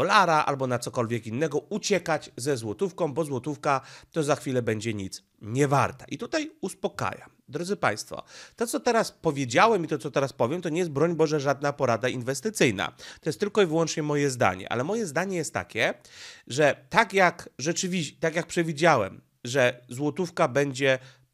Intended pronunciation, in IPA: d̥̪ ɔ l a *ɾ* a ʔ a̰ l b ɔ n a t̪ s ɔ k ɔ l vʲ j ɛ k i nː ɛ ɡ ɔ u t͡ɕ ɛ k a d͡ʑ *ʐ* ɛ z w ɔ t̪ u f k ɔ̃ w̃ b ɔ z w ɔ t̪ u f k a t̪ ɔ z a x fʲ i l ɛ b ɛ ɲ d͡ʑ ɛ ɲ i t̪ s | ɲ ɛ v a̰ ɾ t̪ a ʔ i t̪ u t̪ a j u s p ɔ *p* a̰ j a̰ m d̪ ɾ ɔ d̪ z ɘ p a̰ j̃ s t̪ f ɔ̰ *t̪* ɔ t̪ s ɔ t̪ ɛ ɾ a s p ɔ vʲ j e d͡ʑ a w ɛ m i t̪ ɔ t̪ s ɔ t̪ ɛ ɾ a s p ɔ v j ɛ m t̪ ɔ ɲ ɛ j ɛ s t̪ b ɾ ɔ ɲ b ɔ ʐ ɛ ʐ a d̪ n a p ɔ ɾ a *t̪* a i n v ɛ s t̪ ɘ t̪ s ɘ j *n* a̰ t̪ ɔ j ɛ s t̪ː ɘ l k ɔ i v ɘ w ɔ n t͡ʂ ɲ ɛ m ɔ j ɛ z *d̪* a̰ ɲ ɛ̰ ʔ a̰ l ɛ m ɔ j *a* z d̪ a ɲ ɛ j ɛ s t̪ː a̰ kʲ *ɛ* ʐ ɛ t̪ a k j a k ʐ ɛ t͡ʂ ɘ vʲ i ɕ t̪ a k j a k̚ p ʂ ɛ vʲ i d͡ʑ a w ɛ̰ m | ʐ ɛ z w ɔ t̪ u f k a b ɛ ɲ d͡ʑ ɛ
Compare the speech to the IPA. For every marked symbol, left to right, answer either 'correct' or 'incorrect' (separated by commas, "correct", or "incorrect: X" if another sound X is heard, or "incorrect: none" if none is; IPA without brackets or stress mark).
correct, incorrect: z, incorrect: k, correct, incorrect: d̪, correct, correct, incorrect: ɛ, correct